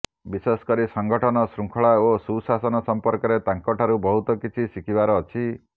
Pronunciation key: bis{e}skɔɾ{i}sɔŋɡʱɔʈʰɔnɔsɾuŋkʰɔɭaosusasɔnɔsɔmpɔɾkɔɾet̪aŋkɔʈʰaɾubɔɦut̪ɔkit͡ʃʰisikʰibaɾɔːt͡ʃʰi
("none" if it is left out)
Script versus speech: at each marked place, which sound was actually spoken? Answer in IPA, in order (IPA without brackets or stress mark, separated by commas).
e, i